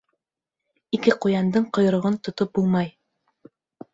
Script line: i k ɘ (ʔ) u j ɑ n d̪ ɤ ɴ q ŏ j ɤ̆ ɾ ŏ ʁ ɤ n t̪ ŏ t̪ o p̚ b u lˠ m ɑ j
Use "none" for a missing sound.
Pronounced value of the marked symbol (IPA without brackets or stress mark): q